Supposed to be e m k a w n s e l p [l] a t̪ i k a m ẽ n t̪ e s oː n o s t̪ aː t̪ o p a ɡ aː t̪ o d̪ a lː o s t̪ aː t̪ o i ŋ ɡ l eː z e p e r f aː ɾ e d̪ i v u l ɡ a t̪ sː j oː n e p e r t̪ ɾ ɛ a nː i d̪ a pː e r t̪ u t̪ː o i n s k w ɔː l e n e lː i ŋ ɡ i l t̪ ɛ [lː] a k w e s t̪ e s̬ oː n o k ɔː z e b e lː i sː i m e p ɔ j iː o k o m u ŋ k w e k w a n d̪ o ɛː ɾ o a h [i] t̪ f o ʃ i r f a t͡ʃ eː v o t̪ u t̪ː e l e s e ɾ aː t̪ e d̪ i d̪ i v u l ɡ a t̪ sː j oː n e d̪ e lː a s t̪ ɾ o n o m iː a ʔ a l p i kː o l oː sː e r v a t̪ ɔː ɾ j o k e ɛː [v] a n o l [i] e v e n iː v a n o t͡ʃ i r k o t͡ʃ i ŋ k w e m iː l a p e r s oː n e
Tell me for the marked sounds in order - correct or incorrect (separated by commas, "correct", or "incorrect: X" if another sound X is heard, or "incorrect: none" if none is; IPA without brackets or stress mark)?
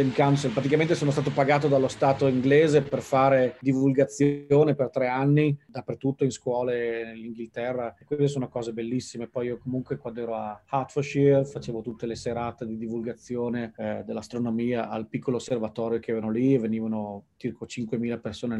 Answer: incorrect: ɾ, incorrect: rː, incorrect: a, correct, correct